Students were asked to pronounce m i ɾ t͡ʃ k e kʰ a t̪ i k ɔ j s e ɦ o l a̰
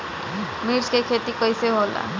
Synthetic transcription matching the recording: m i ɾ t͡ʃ k e kʰ e t̪ i k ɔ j s e ɦ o l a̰